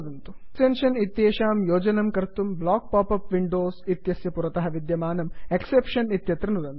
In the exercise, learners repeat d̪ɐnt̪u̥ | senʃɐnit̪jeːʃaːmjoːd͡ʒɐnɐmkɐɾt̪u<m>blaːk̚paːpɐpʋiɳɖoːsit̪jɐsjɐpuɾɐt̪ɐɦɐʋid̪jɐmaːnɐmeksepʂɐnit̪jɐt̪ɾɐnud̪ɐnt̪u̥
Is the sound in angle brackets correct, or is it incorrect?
correct